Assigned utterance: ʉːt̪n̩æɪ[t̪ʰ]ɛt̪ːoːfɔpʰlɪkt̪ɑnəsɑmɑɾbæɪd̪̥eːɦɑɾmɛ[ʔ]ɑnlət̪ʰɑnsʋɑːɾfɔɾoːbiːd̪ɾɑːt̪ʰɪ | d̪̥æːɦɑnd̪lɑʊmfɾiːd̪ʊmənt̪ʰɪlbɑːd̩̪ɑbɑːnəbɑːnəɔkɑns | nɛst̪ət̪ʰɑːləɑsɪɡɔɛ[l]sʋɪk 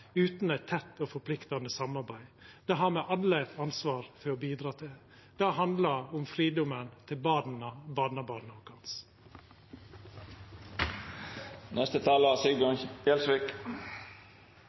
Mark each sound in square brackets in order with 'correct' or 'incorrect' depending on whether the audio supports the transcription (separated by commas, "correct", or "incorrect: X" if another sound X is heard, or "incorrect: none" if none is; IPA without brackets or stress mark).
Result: correct, correct, correct